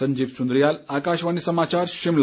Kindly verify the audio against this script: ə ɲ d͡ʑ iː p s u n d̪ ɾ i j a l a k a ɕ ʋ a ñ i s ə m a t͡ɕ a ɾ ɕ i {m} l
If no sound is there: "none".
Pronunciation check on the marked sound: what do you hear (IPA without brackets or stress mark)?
m